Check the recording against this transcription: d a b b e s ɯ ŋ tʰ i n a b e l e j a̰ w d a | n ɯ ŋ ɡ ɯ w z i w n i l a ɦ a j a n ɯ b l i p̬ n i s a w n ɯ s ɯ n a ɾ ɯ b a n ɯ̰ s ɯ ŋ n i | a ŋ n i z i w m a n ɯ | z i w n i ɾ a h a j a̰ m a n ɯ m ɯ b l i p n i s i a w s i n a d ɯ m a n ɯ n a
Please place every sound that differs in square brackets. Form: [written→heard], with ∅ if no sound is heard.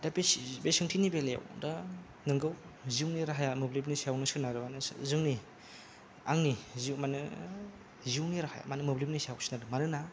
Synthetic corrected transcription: d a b b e s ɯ ŋ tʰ i n [a→i] b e l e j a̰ w d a | n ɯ ŋ ɡ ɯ w z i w n i [l→ɾ] a ɦ a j a [n→m] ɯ b l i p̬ n i s a w n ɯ s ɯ n a ɾ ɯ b a n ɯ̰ [s→z] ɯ ŋ n i | a ŋ n i z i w m a n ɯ | z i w n i ɾ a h a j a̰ m a n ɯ m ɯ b l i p n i s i a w s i n a d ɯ m a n ɯ n a